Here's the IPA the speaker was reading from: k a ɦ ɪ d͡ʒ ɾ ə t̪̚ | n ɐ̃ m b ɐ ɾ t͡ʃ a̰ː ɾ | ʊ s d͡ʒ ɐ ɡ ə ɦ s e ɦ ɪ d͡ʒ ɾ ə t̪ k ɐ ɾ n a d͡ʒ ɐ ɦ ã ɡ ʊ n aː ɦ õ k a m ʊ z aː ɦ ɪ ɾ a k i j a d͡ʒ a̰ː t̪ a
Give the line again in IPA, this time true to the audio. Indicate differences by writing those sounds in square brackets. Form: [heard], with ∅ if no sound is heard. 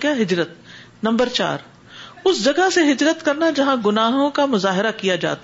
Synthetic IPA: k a ɦ ɪ d͡ʒ ɾ ə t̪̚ | n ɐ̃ m b [ə] ɾ t͡ʃ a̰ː ɾ | ʊ s d͡ʒ ɐ ɡ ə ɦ s e ɦ ɪ d͡ʒ ɾ ə t̪ k ɐ ɾ n a d͡ʒ ɐ ɦ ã ɡ ʊ n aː ɦ õ k a m ʊ z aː ɦ ɪ ɾ a k i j a d͡ʒ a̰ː t̪ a